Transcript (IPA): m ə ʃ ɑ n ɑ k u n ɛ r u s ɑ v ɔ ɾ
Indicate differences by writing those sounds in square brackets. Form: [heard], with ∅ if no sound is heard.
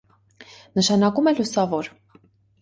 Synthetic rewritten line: [n] ə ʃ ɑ n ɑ k u [m] ɛ [l] u s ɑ v ɔ ɾ